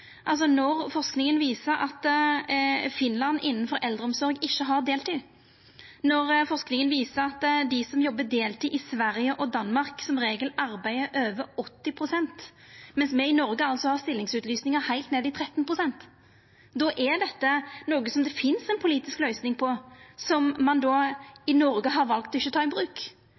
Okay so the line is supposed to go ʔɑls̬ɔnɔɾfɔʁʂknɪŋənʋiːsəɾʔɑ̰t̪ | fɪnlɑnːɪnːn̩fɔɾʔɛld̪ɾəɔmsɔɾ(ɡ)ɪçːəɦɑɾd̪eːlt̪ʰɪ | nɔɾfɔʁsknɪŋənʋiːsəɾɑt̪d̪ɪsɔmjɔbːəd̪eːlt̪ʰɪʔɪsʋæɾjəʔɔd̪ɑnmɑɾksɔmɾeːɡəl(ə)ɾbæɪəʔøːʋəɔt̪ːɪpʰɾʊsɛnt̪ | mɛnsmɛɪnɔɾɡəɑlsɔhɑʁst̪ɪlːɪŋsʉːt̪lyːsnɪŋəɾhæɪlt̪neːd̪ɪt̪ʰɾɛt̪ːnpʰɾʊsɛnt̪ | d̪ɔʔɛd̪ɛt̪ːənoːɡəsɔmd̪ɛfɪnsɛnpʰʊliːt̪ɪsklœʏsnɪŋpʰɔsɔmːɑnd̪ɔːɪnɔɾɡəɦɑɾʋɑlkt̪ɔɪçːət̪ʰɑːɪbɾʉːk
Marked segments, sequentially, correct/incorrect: correct, incorrect

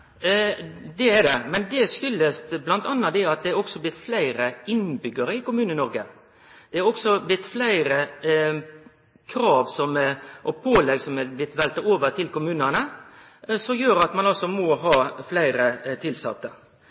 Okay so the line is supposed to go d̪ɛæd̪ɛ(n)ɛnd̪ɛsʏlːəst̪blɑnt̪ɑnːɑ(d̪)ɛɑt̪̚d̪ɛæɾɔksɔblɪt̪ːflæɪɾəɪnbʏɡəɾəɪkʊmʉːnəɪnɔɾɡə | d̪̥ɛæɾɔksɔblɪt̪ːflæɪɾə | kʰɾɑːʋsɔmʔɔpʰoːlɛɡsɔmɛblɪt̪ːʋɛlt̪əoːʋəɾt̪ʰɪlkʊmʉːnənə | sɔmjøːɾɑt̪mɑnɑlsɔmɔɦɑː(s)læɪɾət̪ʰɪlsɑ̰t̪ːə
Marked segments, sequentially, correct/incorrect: incorrect, correct, incorrect

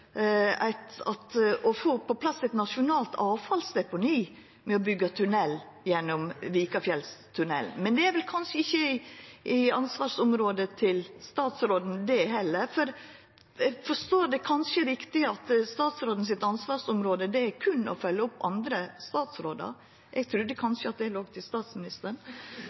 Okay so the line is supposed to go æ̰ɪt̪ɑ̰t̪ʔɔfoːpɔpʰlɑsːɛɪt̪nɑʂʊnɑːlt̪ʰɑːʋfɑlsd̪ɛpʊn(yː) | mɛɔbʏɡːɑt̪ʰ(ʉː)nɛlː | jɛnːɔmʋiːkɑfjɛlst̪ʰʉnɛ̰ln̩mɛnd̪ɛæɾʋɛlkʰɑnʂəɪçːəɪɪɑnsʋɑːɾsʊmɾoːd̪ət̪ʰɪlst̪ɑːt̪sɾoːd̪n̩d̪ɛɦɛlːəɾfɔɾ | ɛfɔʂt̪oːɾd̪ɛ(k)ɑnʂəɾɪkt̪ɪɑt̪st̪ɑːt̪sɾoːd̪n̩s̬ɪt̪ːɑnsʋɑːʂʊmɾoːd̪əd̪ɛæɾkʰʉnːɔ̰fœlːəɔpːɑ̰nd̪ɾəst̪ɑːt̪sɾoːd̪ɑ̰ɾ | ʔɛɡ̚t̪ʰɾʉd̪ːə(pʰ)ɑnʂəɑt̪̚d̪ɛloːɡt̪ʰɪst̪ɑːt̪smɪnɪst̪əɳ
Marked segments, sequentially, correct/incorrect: incorrect, incorrect, incorrect, incorrect

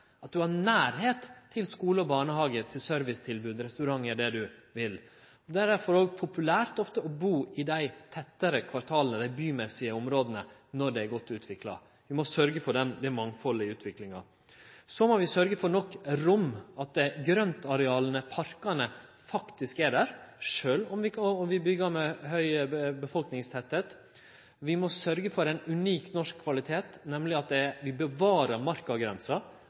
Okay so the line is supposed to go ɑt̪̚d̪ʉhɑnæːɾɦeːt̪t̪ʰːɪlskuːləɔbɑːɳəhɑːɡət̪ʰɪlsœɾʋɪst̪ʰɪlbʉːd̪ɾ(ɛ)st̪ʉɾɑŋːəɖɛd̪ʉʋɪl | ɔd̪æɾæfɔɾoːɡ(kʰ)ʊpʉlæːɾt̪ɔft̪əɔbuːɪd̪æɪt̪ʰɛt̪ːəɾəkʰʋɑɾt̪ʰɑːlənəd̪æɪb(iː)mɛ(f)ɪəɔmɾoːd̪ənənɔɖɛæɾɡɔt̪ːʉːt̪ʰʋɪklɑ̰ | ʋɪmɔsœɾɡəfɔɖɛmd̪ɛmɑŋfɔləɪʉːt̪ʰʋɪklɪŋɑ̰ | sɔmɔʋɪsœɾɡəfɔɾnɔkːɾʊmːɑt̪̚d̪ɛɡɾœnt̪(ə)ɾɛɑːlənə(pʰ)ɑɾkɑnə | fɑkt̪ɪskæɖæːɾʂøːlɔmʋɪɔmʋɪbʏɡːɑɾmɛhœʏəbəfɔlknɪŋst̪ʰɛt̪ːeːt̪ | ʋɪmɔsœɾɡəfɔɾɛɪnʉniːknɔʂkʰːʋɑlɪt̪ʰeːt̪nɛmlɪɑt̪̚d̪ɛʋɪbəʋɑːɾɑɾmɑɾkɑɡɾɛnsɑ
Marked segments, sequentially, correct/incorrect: correct, incorrect, incorrect, incorrect, incorrect, correct

